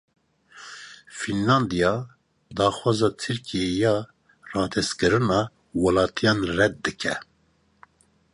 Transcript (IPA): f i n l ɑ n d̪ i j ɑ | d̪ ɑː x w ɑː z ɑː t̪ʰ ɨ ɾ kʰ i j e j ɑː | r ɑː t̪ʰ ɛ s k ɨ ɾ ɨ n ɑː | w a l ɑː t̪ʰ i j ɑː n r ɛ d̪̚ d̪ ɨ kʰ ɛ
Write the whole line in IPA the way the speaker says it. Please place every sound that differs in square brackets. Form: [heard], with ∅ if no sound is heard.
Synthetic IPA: f i n l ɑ n d̪ i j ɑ | d̪ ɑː x w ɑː z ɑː t̪ʰ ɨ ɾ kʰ i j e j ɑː | r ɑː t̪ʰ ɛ s k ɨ ɾ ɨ n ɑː | w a l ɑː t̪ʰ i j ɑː n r ɛ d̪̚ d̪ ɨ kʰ ɛ

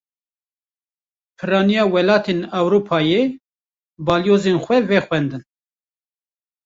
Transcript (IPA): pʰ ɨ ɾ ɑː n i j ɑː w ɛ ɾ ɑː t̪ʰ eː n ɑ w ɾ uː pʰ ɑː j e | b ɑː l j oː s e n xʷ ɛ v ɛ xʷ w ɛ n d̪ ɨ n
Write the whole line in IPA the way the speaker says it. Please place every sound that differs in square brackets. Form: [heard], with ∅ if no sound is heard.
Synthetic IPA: pʰ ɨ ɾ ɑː n i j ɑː w ɛ [l] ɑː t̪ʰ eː n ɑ w ɾ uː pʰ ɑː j e | b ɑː l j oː [z] e n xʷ ɛ v ɛ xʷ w ɛ n d̪ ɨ n

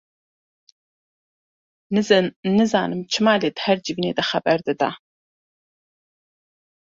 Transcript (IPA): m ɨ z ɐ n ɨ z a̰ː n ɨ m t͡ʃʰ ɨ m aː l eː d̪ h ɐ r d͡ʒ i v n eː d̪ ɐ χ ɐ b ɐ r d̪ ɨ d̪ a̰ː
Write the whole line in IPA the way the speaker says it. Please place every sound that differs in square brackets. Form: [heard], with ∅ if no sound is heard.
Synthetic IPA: [n] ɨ z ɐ n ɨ z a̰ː n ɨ m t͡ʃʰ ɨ m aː l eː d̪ h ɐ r d͡ʒ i v n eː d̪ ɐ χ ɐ b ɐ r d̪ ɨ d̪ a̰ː

